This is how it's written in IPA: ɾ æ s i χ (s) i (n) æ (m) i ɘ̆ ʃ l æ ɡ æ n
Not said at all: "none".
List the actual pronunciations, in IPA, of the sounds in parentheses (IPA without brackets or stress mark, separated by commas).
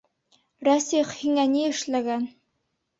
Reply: h, ŋ, n